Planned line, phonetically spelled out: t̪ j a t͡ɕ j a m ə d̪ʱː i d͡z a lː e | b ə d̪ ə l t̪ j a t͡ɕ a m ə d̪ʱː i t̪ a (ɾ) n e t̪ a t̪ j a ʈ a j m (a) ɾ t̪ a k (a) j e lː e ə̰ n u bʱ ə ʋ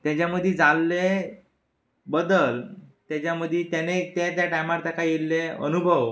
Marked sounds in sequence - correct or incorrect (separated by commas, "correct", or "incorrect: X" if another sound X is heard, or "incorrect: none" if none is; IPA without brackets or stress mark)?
incorrect: none, correct, correct